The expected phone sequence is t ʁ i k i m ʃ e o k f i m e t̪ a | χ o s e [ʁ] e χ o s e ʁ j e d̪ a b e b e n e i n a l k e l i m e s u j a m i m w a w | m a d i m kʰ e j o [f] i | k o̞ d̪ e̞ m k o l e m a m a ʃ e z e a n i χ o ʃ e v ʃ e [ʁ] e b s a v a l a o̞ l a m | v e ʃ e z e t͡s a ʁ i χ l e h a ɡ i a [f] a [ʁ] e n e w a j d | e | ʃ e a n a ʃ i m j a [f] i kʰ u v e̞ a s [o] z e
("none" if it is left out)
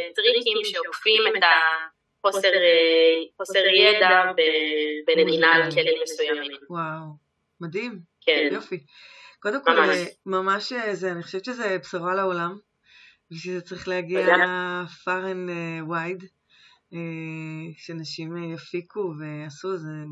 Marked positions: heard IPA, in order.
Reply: ʁ, f, z, f, ʁ, f, u

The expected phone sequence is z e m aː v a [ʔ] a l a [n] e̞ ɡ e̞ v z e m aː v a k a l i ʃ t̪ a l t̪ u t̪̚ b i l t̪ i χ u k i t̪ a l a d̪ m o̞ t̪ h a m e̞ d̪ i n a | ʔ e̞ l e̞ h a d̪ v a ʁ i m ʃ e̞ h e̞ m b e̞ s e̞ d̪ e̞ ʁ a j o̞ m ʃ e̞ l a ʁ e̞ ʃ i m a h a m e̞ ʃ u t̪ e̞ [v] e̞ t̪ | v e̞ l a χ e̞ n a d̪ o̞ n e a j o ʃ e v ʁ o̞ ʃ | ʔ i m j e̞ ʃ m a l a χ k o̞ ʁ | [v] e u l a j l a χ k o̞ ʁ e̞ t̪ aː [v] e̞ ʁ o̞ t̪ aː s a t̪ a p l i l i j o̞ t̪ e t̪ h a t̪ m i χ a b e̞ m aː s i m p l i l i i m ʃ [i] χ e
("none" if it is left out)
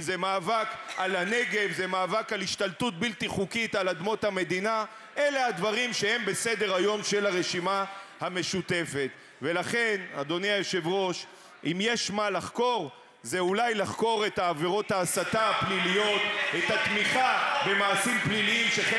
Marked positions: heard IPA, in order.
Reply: k, n, f, z, v, e

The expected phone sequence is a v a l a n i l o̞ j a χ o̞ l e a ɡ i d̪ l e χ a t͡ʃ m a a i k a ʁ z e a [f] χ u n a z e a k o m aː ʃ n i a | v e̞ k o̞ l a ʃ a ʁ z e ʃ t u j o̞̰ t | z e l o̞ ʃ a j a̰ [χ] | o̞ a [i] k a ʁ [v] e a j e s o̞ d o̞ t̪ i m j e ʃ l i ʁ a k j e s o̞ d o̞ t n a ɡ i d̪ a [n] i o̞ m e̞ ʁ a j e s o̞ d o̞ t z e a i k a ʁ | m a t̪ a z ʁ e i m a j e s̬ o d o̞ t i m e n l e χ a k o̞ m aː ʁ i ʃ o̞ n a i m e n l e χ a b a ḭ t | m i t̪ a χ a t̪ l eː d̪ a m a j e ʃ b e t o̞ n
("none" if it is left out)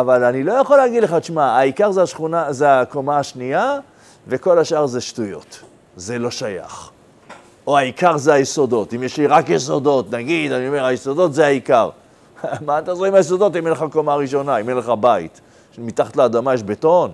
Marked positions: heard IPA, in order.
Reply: ʃ, χ, i, z, n

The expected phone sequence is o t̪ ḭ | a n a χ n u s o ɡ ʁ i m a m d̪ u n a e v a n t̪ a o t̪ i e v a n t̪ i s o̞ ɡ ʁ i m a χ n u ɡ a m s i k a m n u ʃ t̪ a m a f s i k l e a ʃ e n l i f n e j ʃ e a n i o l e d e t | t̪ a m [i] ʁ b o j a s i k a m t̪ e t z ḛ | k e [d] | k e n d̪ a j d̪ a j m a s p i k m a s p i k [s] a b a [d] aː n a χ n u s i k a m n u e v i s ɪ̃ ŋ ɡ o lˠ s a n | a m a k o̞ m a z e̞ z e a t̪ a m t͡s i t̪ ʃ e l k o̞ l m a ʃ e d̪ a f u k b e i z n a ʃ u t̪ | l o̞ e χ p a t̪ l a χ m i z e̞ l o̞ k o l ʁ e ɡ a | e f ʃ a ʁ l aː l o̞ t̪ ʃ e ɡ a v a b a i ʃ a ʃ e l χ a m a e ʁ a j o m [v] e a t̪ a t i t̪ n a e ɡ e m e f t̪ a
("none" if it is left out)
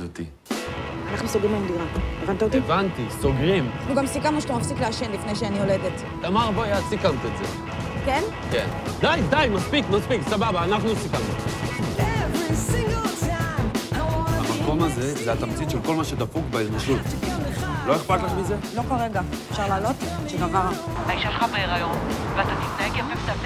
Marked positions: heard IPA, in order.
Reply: a, n, s, b, v

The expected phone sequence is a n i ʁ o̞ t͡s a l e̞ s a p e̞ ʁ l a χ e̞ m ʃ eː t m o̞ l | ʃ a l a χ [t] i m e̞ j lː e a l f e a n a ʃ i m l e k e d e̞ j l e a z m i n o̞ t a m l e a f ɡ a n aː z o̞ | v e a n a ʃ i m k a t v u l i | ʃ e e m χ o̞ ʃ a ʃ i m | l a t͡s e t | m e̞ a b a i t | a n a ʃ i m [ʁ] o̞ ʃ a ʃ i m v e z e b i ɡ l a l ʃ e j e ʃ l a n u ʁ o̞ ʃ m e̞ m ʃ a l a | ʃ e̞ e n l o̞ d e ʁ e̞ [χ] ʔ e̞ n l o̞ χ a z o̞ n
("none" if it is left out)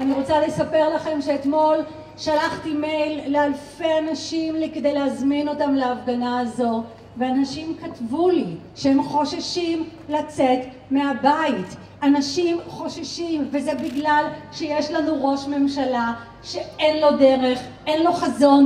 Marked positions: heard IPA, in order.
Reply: t, χ, χ

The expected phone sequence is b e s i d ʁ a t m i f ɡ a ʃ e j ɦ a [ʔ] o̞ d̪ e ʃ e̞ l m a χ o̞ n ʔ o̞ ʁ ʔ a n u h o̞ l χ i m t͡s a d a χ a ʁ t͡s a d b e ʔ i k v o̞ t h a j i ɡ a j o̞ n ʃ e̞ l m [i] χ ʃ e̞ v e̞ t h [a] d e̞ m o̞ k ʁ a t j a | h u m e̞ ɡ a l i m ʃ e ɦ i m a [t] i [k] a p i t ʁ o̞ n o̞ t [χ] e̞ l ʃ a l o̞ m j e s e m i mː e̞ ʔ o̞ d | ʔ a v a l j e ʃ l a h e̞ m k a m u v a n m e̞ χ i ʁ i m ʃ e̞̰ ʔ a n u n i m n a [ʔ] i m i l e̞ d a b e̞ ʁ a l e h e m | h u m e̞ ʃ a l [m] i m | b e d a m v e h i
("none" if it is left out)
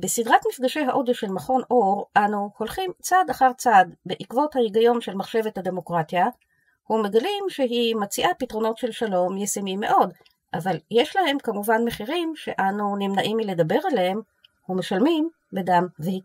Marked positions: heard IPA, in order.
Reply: ʔ, a, a, t͡s, ʔ, ʃ, ʔ, m

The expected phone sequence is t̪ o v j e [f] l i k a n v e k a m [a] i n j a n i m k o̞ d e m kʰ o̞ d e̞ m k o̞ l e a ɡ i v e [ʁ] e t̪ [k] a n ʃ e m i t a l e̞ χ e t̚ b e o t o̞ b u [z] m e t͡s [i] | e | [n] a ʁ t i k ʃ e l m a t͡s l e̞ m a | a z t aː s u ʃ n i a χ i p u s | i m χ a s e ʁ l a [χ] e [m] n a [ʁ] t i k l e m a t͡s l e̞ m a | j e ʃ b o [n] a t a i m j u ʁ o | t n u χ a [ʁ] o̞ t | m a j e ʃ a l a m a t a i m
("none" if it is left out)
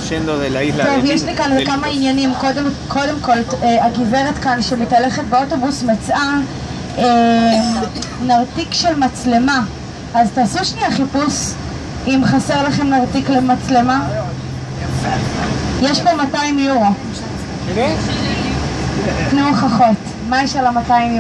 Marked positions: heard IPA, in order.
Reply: ʃ, a, ʁ, k, s, a, n, χ, m, ʁ, m, χ

